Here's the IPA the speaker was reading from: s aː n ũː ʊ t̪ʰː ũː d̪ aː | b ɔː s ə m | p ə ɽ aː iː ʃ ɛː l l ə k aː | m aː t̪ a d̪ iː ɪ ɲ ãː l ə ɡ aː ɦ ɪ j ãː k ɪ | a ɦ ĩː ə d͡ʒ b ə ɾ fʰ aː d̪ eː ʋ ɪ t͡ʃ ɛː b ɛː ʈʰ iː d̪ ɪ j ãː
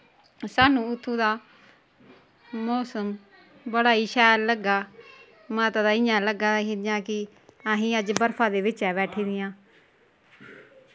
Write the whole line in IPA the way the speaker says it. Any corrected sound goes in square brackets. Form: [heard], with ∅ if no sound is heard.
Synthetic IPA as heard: s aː n ũː ʊ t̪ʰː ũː d̪ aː | [m] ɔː s ə m | [b] ə ɽ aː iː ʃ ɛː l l ə [ɡ] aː | m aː t̪ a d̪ [aː] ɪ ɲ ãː l ə ɡ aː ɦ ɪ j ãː k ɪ | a ɦ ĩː ə d͡ʒ b ə ɾ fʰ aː d̪ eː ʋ ɪ t͡ʃ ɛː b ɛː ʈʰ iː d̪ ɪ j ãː